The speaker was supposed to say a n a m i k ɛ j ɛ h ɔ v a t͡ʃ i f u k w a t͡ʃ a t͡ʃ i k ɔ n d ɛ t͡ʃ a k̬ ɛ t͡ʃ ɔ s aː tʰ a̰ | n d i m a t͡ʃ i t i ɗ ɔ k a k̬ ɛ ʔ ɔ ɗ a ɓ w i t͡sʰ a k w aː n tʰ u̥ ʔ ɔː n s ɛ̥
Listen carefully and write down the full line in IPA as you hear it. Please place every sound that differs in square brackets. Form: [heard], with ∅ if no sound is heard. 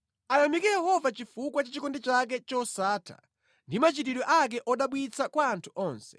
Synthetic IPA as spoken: a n a m i k ɛ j ɛ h ɔ v a t͡ʃ i f u k w a t͡ʃ a t͡ʃ i k ɔ n d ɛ t͡ʃ a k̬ ɛ t͡ʃ ɔ s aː tʰ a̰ | n d i m a t͡ʃ i t i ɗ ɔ [ʔ] a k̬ ɛ ʔ ɔ ɗ a ɓ w i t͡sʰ a k w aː n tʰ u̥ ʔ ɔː n s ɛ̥